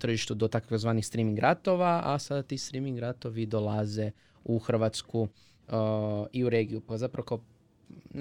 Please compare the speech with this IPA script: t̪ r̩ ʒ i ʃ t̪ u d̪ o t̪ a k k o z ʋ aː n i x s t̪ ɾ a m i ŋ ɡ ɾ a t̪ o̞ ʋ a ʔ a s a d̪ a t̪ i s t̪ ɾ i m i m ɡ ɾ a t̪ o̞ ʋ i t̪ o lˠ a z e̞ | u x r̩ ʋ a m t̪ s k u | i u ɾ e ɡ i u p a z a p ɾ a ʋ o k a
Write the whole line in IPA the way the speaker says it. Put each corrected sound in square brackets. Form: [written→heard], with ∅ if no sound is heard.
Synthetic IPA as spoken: t̪ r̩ ʒ i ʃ t̪ u d̪ o t̪ a k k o z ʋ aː n i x s t̪ ɾ [a→i] m i ŋ ɡ ɾ a t̪ o̞ ʋ a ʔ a s a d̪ a t̪ i s t̪ ɾ i m i [m→ŋ] ɡ ɾ a t̪ o̞ ʋ i [t̪→d̪] o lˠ a z e̞ | u x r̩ ʋ a [m→∅] t̪ s k u | i u ɾ e ɡ i u p a z a p ɾ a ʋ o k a